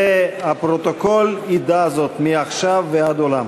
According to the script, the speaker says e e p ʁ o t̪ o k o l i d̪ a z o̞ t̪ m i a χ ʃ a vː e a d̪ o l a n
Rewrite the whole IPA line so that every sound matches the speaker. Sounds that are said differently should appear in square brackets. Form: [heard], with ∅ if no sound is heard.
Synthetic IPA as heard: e [a] p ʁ o t̪ o k o l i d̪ a z o̞ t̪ m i a χ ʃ a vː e a d̪ o l a [m]